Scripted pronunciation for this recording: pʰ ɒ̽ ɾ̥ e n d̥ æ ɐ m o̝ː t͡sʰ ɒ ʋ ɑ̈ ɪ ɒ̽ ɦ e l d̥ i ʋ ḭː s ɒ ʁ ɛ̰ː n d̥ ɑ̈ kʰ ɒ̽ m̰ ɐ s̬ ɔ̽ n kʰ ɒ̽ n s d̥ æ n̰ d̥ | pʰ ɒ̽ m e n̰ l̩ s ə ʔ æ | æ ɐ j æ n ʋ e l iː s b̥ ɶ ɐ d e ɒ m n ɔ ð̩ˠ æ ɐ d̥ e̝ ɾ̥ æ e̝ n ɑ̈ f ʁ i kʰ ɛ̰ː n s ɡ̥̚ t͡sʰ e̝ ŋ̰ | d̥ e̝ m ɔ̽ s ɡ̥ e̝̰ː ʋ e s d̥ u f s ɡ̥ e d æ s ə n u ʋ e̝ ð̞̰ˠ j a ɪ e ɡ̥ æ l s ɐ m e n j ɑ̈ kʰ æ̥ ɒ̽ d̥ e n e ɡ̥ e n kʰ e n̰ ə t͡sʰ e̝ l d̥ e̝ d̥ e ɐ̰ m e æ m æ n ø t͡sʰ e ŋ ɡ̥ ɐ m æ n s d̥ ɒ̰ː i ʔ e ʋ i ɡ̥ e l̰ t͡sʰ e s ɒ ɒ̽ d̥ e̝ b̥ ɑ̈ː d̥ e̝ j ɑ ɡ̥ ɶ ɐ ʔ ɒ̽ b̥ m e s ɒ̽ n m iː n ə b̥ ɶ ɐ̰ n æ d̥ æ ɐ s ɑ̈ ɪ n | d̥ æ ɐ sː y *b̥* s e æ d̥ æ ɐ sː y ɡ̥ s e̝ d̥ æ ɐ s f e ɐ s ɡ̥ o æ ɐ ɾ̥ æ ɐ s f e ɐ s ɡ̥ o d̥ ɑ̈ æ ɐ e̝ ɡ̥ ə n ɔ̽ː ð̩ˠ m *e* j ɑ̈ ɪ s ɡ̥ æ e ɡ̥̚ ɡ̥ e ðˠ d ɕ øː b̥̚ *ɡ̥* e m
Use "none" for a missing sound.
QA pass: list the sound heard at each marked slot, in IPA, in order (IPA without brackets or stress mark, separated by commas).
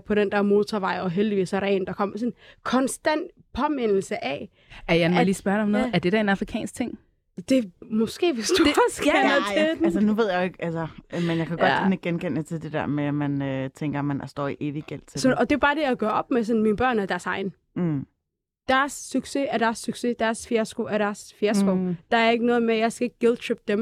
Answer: ɡ̥, e, d̥